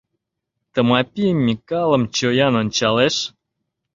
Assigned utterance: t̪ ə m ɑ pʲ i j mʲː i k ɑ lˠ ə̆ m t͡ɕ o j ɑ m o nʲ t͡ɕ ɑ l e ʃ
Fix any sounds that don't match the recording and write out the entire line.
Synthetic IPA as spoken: t̪ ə m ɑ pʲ i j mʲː i k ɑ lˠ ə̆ m t͡ɕ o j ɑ n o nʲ t͡ɕ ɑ l e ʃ